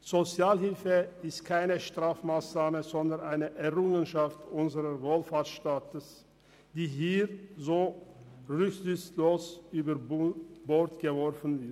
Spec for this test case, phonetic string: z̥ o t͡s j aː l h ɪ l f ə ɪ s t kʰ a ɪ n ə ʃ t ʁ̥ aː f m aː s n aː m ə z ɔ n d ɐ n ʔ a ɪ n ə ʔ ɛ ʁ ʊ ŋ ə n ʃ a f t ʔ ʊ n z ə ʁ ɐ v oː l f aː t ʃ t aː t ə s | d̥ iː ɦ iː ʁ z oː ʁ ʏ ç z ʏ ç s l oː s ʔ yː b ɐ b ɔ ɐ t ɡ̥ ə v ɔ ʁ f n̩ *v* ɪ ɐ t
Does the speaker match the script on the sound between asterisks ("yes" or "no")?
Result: yes